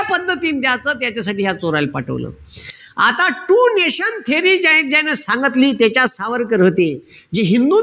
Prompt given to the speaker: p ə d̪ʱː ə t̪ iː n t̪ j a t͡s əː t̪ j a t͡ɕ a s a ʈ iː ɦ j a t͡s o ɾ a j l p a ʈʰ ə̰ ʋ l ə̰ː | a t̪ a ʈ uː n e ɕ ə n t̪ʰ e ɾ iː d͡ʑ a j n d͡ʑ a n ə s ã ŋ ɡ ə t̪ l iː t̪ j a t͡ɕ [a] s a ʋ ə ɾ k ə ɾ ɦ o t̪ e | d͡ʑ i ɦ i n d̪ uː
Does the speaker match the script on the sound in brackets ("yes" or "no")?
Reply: yes